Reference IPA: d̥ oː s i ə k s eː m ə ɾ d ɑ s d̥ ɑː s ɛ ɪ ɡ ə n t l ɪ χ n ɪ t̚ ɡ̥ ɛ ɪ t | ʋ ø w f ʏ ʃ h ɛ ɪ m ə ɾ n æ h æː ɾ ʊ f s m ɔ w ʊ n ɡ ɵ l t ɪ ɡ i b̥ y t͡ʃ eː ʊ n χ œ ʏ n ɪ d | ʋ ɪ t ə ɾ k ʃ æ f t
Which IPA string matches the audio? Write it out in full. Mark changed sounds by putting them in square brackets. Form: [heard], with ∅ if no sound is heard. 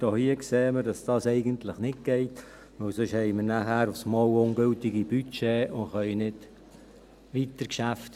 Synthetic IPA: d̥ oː [h] i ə k s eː m ə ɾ d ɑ s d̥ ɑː s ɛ ɪ ɡ ə n t l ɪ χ n ɪ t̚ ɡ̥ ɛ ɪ t | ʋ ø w [s] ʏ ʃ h ɛ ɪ m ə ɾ n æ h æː ɾ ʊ f s m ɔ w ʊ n ɡ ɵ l t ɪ ɡ i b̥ y t͡ʃ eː ʊ n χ œ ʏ n ɪ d | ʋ [i] t ə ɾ k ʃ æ f t